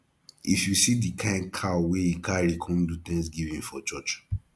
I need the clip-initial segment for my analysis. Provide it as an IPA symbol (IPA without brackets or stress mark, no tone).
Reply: i